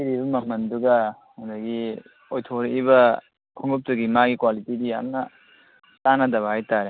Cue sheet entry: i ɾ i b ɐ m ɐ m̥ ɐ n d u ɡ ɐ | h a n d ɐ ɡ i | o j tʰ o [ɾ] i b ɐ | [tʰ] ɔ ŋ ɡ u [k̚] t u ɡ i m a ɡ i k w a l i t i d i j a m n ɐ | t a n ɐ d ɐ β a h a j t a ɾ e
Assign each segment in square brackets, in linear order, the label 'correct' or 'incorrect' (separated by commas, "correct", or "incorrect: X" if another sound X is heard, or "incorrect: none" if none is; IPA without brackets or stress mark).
correct, incorrect: kʰ, incorrect: p̚